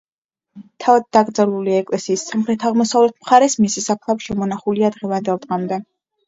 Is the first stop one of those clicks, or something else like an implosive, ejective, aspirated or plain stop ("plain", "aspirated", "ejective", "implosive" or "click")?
aspirated